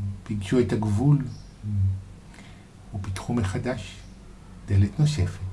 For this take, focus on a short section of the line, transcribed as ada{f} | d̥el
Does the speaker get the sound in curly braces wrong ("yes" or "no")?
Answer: yes